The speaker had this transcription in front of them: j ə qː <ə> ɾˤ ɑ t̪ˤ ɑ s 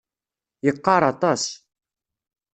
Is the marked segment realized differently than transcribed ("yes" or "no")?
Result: yes